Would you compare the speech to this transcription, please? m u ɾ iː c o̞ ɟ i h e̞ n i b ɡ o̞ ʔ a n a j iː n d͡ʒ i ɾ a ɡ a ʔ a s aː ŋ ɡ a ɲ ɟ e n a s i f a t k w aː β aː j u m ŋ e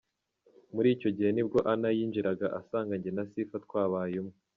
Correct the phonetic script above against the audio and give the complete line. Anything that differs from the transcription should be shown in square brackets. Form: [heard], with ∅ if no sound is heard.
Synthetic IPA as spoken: m u ɾ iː c o̞ ɟ i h e̞ n i b ɡ o̞ ʔ a n a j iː n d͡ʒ i ɾ a ɡ a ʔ a s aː ŋ ɡ a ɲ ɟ e n a s i f a t k w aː β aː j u m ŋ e